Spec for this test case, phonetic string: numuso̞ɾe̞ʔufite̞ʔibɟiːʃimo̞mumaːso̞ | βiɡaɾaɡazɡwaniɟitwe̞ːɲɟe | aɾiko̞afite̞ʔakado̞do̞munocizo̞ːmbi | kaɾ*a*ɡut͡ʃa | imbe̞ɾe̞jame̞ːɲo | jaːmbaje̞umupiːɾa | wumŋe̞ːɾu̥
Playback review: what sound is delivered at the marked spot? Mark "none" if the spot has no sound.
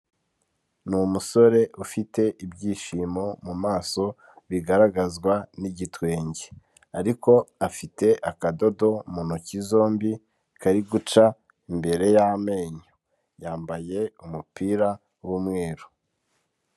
i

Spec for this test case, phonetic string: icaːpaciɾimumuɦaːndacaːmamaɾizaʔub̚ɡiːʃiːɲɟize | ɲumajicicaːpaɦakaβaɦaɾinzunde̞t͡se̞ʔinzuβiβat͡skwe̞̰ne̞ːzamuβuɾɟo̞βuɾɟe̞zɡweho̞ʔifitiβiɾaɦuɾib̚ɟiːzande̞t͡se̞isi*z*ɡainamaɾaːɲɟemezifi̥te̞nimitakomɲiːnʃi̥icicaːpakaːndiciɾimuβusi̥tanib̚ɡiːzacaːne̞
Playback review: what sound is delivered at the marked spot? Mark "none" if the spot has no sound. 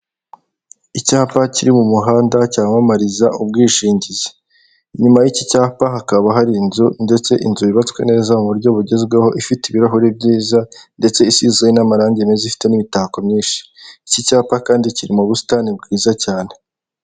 z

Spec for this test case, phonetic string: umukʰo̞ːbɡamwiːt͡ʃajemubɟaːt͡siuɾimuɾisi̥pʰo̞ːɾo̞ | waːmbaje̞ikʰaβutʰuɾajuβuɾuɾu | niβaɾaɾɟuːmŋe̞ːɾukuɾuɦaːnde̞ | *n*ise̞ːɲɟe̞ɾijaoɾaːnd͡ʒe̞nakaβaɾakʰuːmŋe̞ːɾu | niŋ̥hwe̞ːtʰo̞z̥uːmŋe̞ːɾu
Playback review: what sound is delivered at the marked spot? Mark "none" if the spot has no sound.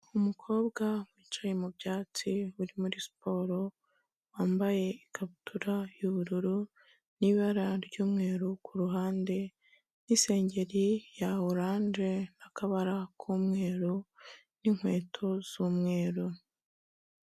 n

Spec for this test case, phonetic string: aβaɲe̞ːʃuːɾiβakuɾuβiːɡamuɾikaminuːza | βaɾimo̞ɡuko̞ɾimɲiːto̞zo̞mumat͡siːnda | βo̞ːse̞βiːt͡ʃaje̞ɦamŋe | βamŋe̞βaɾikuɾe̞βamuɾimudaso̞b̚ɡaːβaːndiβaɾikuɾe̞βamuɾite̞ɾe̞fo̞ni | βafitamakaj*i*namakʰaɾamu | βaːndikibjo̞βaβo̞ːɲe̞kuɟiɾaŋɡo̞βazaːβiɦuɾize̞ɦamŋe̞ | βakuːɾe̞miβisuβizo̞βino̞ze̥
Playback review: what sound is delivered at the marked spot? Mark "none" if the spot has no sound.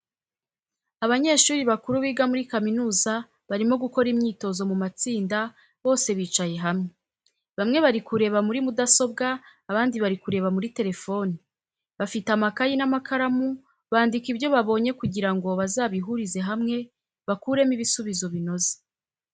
i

